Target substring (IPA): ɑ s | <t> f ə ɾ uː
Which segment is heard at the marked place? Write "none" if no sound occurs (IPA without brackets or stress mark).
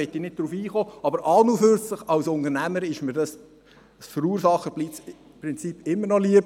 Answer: s